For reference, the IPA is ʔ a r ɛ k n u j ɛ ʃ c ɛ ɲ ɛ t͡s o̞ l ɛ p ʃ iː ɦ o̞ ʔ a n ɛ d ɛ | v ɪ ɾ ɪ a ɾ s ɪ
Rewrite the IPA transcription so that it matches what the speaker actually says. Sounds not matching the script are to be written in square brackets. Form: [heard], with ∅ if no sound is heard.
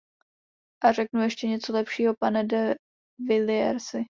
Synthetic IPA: ʔ a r ɛ k n u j ɛ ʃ c ɛ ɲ ɛ t͡s o̞ l ɛ p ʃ iː ɦ o̞ [p] a n ɛ d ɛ | v ɪ [l] ɪ [ɛ] ɾ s ɪ